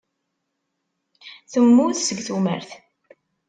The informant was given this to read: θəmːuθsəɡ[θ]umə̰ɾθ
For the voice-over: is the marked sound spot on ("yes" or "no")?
yes